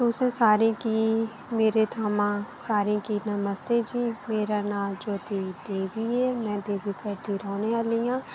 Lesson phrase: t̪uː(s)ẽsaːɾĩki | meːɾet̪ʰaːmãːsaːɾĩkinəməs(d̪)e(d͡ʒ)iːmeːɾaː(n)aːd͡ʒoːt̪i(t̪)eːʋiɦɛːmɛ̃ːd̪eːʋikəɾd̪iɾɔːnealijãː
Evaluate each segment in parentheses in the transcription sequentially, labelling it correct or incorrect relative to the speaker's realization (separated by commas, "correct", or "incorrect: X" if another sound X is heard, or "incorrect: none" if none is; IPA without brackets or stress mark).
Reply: correct, incorrect: t̪, correct, correct, incorrect: d̪